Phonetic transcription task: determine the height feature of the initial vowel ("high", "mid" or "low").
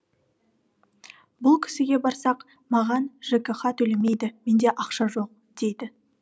high